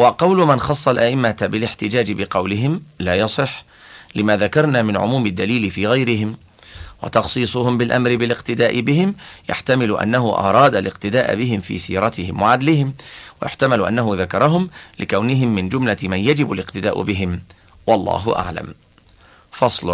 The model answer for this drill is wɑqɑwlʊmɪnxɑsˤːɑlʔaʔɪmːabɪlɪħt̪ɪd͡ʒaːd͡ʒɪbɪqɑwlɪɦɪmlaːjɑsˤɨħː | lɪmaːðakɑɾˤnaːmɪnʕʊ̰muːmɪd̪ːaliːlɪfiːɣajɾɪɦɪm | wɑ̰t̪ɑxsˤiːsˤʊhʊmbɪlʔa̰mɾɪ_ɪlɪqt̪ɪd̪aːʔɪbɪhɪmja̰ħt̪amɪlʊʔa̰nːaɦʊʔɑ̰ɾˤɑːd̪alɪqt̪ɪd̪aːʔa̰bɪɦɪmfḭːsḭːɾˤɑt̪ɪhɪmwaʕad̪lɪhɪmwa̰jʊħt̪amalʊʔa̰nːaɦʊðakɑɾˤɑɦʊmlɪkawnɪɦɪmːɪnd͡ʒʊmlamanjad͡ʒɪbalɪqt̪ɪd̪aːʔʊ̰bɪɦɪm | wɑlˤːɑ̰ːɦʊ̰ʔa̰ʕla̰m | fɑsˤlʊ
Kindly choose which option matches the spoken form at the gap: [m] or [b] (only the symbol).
b